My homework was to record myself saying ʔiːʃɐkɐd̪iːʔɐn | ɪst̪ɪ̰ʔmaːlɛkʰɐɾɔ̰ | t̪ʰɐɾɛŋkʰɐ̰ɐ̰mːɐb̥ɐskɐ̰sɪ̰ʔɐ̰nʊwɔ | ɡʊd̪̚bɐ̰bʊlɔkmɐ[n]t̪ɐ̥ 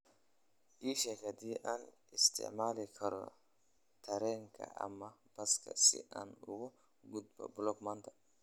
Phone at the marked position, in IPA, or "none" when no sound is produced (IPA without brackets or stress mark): n